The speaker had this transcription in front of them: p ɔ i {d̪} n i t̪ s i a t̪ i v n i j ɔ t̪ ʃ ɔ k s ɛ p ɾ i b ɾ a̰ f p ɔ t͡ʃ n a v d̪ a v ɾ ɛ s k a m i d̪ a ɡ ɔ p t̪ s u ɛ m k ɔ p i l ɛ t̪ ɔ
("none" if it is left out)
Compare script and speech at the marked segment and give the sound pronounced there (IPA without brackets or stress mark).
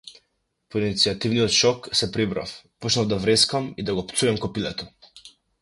none